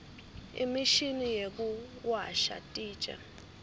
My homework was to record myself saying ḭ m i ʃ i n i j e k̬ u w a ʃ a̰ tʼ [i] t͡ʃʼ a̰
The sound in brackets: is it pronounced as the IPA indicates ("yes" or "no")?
no